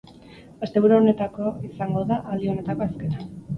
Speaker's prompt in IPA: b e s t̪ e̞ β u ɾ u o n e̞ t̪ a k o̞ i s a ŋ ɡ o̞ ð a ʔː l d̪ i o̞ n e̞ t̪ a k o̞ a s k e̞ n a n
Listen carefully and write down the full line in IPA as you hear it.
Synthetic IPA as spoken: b e s t̪ e̞ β u ɾ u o n e̞ t̪ a k o̞ i s a ŋ ɡ o̞ ð a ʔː l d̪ i o̞ n e̞ t̪ a k o̞ a s k e̞ n a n